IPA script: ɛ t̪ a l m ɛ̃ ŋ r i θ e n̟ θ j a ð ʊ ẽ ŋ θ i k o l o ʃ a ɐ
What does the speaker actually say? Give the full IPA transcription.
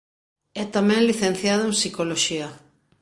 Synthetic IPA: ɛ t̪ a m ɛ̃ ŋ l i θ e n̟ θ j a ð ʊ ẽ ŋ s i k o l o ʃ i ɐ